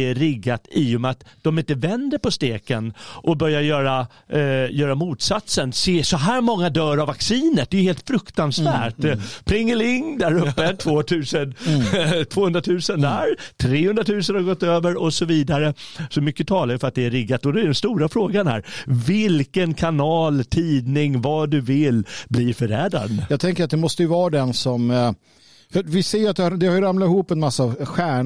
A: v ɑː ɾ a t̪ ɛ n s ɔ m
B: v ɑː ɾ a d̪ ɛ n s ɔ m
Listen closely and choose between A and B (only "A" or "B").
B